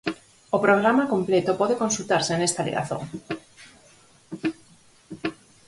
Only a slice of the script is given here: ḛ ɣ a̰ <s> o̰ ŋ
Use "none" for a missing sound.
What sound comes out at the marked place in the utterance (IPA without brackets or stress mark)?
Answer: θ